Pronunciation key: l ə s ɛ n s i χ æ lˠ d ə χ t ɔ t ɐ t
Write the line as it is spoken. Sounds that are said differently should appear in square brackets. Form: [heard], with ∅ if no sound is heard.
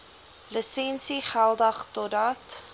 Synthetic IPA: l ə s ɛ n s i χ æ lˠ d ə χ t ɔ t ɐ t